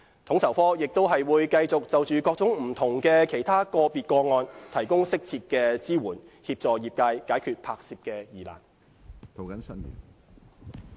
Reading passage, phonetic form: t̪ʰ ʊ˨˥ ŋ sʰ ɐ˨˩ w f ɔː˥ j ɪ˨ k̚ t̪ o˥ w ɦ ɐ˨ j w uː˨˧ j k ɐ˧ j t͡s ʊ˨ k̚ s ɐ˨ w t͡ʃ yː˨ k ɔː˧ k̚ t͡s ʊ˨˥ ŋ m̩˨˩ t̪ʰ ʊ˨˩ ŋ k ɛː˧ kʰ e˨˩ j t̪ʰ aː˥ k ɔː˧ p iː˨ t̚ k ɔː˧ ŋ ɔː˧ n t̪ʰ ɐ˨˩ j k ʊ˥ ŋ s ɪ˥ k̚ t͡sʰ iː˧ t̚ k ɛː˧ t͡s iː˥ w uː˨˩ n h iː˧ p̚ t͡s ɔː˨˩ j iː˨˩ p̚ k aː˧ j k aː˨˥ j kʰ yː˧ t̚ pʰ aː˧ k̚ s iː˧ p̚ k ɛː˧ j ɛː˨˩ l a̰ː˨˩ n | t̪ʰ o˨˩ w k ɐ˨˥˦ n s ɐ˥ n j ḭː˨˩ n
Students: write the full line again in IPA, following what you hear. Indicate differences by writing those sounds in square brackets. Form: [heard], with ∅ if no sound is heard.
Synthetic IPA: t̪ʰ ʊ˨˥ ŋ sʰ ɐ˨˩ w f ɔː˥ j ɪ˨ k̚ t̪ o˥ w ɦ ɐ˨ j w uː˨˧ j k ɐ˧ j t͡s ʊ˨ k̚ [t͡s] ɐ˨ w t͡ʃ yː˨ k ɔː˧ k̚ t͡s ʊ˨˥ ŋ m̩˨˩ t̪ʰ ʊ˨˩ ŋ k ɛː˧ kʰ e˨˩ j t̪ʰ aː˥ k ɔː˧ p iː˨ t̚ k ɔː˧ ŋ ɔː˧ n t̪ʰ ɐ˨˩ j k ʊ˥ ŋ s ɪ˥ k̚ t͡sʰ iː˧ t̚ k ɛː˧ t͡s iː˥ w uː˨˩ n h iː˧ p̚ t͡s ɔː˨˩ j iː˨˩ p̚ k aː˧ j k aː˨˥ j kʰ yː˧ t̚ pʰ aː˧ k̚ s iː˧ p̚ k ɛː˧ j [iː˨˩] l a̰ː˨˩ n | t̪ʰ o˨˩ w k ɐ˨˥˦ n s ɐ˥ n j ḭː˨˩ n

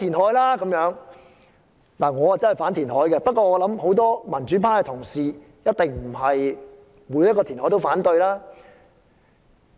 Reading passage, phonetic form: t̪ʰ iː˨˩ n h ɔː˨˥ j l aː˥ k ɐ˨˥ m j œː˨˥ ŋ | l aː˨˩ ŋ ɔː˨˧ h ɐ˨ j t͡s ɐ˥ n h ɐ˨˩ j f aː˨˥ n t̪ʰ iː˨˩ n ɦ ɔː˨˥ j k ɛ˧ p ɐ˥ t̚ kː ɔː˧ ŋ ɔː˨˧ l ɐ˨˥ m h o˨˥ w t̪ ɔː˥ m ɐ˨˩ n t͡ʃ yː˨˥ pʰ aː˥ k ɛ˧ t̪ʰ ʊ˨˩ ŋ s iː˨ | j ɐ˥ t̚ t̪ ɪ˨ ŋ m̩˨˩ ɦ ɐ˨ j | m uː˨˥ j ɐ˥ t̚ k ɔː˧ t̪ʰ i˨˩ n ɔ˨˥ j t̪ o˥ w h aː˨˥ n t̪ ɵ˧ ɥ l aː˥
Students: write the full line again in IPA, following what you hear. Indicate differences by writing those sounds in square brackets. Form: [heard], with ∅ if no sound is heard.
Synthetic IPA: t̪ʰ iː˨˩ n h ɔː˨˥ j l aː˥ k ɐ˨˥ m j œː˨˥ ŋ | l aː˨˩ ŋ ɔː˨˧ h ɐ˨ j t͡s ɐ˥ n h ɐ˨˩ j f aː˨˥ n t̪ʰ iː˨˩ n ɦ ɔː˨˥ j k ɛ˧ p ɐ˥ t̚ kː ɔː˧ ŋ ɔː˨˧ l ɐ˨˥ m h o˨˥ w t̪ ɔː˥ m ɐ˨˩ n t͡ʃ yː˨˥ pʰ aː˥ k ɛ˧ t̪ʰ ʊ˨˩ ŋ s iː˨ | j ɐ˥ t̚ t̪ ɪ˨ ŋ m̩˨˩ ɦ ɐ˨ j | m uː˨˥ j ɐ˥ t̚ k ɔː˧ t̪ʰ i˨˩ n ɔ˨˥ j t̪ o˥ w [f] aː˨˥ n t̪ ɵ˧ ɥ l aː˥

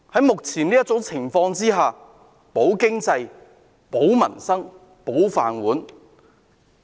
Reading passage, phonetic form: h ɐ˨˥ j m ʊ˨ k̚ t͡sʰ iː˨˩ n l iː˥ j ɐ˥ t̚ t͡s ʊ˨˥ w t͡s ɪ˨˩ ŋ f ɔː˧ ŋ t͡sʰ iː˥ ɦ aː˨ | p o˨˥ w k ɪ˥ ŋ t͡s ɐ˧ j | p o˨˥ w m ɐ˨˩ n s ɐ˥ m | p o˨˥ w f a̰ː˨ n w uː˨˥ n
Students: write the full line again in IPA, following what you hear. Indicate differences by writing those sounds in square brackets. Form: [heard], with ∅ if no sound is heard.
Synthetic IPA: h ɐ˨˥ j m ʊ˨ k̚ t͡sʰ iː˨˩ n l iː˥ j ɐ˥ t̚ t͡s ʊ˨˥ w [t͡sʰ] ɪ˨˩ ŋ f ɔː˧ ŋ [t͡s] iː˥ ɦ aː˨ | p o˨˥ w k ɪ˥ ŋ t͡s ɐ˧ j | p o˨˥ w m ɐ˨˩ n s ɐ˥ [ŋ] | p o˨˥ w f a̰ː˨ n w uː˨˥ n

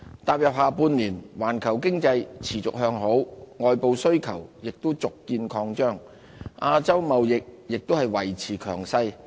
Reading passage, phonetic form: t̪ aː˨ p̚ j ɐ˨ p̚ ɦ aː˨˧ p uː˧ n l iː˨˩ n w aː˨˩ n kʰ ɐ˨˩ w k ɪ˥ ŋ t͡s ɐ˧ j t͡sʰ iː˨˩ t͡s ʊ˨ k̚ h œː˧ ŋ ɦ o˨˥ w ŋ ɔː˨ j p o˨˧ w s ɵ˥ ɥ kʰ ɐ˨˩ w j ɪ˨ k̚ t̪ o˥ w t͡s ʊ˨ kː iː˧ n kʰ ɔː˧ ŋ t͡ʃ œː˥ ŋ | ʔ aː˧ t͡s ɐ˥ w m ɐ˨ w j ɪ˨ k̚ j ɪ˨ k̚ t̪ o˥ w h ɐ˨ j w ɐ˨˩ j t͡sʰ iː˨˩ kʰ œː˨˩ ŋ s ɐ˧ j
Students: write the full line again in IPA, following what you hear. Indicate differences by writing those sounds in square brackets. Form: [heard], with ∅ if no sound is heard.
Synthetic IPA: t̪ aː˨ p̚ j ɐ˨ p̚ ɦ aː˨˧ p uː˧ n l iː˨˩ n w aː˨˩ n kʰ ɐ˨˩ w k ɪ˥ ŋ t͡s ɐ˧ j t͡sʰ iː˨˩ t͡s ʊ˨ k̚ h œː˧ ŋ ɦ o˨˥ w ŋ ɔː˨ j p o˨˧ w s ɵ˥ ɥ kʰ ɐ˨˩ w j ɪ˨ k̚ t̪ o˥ w t͡s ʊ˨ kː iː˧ n kʰ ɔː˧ ŋ t͡ʃ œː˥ ŋ | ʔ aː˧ t͡s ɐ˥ w m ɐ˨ w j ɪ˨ k̚ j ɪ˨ k̚ t̪ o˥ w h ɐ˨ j w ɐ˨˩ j t͡sʰ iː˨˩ kʰ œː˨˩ ŋ s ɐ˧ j

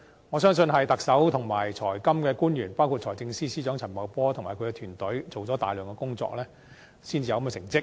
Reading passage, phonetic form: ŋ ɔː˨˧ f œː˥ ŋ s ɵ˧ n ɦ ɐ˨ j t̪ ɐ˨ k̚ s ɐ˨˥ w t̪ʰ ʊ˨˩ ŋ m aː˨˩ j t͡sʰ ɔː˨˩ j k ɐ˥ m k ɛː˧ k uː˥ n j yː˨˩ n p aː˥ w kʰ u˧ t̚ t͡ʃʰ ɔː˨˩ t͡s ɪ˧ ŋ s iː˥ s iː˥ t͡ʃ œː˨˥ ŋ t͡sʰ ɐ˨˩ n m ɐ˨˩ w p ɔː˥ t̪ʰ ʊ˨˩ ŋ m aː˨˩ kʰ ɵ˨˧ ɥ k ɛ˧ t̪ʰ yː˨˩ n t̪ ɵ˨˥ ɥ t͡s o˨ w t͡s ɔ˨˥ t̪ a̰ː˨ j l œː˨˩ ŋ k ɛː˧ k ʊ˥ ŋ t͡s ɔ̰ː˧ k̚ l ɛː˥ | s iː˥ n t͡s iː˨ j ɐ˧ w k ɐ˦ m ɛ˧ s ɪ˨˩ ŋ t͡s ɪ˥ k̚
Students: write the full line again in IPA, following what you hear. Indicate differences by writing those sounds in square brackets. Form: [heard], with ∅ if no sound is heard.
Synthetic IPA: ŋ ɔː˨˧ [s] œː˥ ŋ s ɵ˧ n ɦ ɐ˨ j t̪ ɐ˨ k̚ s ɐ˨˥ w t̪ʰ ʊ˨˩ ŋ m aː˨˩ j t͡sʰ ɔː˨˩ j k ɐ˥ m k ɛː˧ k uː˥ n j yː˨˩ n p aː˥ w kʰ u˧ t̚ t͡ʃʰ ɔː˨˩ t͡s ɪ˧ ŋ s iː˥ s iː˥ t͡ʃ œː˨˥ ŋ t͡sʰ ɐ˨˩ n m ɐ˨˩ w p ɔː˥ t̪ʰ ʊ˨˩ ŋ m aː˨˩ kʰ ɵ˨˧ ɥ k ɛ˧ t̪ʰ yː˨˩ n t̪ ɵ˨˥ ɥ t͡s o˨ w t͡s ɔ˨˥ t̪ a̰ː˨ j l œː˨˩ ŋ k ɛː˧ k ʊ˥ ŋ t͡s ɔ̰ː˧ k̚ l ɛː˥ | s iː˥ n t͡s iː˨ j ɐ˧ w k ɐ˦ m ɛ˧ s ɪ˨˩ ŋ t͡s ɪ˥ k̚

